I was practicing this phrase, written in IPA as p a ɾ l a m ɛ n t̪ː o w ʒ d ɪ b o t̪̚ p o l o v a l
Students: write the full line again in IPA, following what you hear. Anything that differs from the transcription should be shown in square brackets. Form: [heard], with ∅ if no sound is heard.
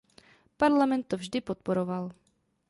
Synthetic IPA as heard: p a ɾ l a m ɛ n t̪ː o [v] ʒ d ɪ [p] o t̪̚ p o [ɾ] o v a l